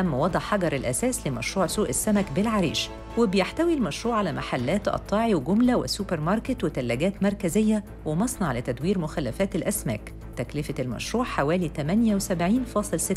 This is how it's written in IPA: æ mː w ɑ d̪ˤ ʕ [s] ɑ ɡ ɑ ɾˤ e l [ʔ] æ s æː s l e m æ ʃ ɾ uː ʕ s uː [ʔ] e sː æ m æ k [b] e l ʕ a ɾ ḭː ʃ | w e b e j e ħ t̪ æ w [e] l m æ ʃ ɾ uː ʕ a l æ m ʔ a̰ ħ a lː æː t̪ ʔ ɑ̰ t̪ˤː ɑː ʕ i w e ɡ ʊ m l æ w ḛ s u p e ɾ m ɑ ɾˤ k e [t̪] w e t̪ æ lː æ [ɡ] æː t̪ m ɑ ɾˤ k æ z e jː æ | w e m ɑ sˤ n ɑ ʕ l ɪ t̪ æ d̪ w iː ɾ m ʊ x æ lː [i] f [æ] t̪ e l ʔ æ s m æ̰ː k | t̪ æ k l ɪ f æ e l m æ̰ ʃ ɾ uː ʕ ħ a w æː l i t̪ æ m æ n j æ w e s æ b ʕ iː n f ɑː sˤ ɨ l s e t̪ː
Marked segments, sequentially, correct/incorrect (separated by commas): incorrect, correct, correct, correct, incorrect, correct, correct, incorrect, incorrect